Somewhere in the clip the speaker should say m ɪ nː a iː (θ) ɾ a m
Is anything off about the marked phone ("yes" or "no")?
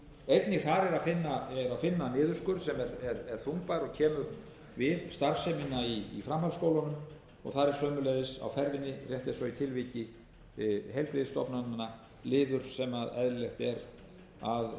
yes